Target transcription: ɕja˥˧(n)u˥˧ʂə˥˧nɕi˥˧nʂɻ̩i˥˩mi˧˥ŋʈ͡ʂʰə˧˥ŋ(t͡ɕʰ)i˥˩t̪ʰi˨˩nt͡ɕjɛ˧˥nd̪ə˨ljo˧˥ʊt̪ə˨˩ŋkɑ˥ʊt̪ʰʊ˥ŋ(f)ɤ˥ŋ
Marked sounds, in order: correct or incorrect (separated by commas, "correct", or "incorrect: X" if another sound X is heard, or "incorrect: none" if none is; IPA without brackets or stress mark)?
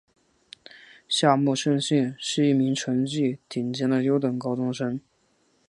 incorrect: m, incorrect: t͡ɕ, incorrect: ʂ